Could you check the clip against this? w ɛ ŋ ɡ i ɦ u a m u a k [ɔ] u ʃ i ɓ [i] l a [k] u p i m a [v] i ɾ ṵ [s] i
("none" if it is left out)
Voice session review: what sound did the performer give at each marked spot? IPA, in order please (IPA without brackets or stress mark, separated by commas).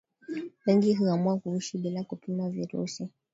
u, i, k, v, s